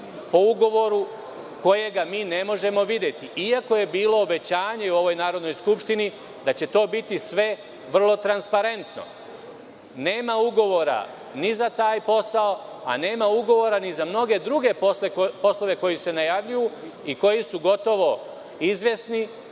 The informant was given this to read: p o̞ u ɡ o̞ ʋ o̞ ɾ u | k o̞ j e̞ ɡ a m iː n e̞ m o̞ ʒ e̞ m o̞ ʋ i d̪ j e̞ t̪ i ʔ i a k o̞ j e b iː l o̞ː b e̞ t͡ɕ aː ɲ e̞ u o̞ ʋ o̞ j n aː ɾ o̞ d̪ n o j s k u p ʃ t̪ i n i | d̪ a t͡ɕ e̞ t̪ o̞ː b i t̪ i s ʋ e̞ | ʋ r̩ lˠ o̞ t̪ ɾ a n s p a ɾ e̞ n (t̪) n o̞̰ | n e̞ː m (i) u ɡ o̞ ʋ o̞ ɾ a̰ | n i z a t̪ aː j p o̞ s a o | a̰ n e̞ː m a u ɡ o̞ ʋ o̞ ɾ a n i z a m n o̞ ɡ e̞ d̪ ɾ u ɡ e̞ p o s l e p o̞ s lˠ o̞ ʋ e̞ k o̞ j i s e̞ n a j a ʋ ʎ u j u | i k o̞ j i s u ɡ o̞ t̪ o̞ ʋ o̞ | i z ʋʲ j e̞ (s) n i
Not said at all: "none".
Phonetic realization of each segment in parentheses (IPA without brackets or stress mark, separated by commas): t̪, a, s